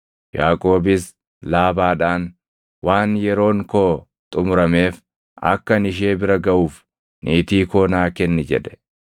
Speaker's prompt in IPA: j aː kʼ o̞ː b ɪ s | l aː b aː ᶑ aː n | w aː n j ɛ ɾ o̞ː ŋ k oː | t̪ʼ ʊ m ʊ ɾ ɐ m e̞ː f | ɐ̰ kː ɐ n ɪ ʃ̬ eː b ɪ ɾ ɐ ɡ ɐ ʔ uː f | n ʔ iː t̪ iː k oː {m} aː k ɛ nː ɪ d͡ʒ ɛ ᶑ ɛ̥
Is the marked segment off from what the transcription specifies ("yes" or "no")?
yes